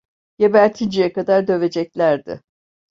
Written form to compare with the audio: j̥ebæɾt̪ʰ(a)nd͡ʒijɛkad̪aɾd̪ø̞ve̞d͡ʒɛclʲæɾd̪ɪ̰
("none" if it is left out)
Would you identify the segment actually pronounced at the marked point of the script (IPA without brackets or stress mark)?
i